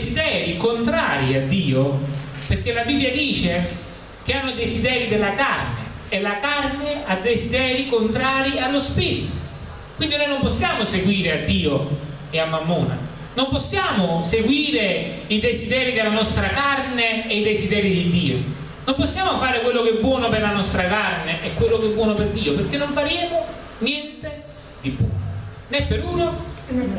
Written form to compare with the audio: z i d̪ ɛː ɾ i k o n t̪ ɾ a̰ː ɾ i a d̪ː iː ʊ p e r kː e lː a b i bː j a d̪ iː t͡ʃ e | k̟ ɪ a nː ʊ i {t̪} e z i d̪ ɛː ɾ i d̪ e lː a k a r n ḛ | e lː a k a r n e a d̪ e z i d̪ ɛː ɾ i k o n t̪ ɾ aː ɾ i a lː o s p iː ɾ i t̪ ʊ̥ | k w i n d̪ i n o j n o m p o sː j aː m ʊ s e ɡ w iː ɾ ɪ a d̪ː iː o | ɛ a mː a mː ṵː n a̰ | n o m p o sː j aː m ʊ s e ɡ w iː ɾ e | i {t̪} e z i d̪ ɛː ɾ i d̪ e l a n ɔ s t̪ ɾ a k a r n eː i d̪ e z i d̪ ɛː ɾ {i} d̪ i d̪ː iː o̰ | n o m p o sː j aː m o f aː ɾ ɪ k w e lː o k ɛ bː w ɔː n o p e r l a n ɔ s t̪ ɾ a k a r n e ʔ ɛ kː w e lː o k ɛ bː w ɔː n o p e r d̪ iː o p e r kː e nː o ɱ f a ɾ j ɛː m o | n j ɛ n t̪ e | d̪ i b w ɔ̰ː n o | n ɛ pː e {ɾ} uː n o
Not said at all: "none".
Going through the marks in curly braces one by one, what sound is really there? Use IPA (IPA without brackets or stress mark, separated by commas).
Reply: d̪, d̪, i, ɾ